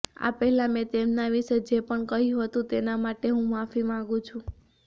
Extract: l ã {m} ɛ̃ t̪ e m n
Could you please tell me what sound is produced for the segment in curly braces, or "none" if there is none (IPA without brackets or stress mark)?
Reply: m